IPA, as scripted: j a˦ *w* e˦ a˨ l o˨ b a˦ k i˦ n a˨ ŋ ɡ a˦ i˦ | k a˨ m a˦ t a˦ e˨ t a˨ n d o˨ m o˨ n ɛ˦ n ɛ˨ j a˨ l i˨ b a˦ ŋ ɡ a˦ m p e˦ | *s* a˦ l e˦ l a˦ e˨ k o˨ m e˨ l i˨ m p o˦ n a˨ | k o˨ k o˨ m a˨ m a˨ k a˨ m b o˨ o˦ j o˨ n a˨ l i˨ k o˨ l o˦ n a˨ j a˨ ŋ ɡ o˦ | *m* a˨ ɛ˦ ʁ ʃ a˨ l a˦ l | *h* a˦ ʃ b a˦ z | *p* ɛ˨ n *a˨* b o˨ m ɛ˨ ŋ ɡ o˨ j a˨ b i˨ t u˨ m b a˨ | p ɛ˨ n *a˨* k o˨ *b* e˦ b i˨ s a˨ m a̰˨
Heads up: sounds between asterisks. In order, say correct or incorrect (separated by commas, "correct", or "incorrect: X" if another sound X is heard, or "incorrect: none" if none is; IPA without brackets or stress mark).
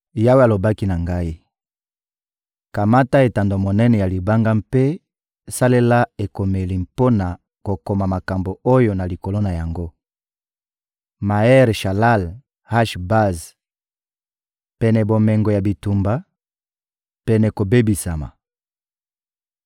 correct, correct, correct, correct, correct, incorrect: ɛ˨, incorrect: ɛ˨, correct